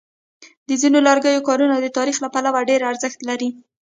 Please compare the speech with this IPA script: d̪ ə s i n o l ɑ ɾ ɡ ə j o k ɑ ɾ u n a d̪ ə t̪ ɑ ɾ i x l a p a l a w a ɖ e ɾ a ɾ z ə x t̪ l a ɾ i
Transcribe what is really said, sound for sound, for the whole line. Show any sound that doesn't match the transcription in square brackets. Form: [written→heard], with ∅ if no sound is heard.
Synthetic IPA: d̪ ə [s→z] i n o l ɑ ɾ ɡ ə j o k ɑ ɾ u n a d̪ ə t̪ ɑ ɾ i x l a p a l a w a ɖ e ɾ a ɾ z ə x t̪ l a ɾ i